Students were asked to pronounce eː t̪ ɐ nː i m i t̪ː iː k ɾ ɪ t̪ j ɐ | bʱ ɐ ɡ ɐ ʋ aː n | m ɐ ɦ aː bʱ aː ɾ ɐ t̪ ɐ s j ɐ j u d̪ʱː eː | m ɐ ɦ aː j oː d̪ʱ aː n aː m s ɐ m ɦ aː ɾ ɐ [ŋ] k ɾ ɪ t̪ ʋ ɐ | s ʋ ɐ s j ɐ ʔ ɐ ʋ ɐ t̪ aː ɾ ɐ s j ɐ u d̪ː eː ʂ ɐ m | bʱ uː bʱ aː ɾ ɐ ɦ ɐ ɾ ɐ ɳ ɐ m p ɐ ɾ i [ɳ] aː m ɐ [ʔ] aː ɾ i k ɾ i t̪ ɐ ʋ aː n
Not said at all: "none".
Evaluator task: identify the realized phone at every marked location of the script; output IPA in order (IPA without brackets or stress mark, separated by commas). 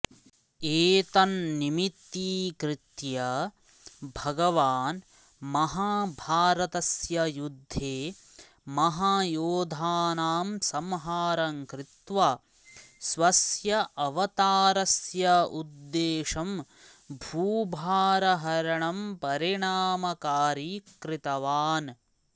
ŋ, ɳ, k